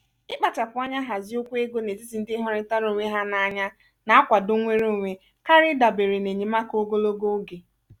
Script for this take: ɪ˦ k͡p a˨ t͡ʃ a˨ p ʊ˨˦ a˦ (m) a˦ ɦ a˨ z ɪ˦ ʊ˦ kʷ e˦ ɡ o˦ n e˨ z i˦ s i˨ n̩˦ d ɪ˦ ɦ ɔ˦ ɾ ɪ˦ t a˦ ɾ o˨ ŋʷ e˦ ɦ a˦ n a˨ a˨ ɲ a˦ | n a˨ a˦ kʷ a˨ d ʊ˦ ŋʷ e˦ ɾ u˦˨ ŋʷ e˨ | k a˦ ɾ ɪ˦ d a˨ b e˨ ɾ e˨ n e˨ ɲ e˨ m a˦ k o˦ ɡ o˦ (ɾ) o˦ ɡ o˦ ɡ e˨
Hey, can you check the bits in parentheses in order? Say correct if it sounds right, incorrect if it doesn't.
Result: incorrect: ɲ, incorrect: l

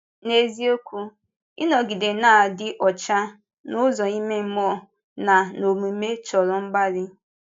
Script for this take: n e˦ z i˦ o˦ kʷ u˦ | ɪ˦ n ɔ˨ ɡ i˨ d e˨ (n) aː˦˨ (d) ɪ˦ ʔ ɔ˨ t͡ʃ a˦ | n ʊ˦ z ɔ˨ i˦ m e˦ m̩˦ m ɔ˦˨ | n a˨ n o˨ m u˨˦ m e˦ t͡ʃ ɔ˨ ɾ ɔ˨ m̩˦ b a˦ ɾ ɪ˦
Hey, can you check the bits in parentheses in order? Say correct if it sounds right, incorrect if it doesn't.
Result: correct, correct

